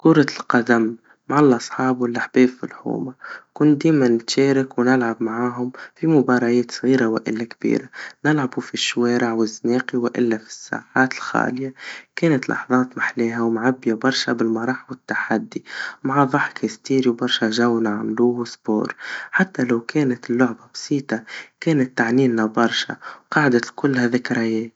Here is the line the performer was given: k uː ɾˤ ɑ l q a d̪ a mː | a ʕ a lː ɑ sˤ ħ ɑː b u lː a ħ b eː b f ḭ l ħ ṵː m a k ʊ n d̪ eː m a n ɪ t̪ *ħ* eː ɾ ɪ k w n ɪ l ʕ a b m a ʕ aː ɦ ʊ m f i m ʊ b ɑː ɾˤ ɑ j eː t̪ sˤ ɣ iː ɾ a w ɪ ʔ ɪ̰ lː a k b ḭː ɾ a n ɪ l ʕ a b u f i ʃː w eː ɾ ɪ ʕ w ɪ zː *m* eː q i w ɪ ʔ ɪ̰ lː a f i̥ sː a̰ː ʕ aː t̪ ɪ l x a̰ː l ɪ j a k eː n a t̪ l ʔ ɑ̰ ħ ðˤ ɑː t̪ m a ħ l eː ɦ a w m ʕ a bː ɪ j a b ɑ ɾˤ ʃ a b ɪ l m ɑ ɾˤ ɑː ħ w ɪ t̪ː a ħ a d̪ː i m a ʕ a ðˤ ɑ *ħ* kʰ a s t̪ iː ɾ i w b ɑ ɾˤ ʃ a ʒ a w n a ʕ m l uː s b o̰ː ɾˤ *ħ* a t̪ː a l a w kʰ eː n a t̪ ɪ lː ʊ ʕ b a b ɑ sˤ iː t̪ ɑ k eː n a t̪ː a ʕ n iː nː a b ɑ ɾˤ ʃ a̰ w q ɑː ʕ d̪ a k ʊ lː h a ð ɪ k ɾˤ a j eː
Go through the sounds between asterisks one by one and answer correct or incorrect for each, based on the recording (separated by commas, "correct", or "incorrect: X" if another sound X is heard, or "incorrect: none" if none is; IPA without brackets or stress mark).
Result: incorrect: ʃ, incorrect: n, correct, correct